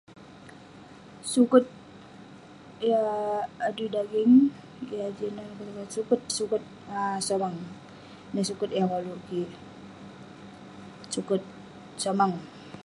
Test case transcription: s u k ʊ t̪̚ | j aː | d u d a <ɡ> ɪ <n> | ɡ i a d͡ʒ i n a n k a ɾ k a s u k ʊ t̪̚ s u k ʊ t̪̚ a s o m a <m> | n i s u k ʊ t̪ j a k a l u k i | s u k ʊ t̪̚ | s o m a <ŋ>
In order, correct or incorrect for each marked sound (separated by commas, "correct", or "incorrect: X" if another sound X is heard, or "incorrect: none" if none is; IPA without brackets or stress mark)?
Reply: correct, incorrect: ŋ, incorrect: ŋ, correct